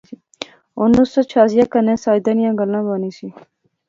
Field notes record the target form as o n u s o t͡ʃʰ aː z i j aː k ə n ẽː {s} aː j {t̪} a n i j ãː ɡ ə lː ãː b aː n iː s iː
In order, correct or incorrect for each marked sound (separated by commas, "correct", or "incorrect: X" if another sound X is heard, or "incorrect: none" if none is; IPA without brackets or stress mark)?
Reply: correct, incorrect: d̪